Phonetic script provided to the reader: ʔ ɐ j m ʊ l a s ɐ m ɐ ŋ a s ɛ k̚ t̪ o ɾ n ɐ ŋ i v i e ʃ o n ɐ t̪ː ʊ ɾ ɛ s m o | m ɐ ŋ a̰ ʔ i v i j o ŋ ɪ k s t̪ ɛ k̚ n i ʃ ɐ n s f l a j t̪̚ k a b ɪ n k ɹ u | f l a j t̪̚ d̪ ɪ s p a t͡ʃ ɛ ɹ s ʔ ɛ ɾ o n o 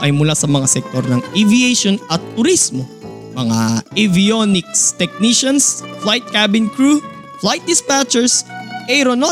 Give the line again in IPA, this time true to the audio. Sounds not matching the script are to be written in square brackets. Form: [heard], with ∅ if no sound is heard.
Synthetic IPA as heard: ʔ ɐ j m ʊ l a s ɐ m ɐ ŋ a s ɛ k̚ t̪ o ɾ n ɐ ŋ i v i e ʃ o n ɐ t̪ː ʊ ɾ [i] s m o | m ɐ ŋ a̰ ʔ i v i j o [n] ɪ k s t̪ ɛ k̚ n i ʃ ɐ n s f l a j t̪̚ k a b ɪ n k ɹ u | f l a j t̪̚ d̪ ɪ s p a t͡ʃ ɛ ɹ s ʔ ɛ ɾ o n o